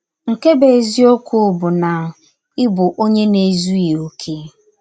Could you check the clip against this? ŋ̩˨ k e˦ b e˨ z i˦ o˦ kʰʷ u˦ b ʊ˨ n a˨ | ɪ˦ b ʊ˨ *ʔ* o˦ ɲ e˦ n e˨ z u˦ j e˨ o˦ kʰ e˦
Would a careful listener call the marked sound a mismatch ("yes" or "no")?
no